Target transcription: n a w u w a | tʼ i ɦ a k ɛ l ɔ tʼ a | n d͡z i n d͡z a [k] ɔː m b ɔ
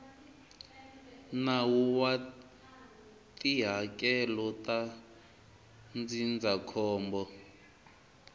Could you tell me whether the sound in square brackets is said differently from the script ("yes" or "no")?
yes